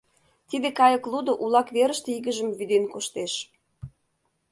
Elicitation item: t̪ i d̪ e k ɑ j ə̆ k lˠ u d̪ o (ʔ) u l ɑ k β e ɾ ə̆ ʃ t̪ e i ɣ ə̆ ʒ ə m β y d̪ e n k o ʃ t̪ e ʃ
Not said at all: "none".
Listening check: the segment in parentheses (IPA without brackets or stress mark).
ʔ